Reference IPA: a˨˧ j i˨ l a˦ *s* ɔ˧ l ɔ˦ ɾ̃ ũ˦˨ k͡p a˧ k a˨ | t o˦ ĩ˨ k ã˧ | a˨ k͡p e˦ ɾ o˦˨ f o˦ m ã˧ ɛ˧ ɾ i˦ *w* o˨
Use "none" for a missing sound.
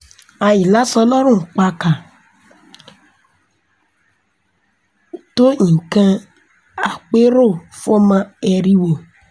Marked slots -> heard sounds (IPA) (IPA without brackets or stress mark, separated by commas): s, w